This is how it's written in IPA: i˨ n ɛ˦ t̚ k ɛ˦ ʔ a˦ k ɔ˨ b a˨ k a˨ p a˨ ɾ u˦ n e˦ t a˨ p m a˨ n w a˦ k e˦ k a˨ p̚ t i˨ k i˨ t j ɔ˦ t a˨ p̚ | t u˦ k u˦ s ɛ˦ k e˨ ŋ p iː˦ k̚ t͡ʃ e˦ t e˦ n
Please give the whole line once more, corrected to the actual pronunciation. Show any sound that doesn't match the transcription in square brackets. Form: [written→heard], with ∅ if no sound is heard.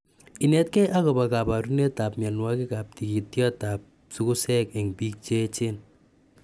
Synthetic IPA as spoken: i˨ n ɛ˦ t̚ k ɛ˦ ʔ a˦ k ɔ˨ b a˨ k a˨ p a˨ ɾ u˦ n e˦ t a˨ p m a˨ n w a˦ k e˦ k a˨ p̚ t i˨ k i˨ t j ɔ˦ t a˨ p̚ | [t→s] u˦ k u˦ s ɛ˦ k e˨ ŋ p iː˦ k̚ t͡ʃ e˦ [t→t͡ʃ] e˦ n